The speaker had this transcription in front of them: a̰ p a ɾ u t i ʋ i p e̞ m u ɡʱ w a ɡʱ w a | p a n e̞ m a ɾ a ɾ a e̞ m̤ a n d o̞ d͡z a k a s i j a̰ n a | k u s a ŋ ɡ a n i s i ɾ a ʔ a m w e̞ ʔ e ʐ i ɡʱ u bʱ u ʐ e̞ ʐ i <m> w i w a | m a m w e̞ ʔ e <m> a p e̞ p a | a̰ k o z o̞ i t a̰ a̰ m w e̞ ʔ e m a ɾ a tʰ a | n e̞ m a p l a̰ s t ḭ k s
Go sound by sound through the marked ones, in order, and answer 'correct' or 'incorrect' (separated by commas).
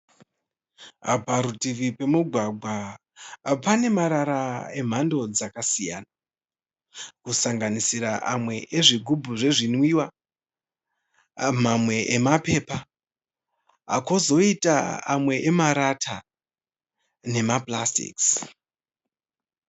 incorrect, correct